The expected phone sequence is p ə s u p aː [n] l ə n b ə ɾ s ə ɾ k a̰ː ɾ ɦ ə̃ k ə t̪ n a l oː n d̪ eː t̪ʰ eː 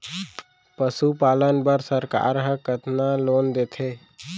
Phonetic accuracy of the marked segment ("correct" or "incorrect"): incorrect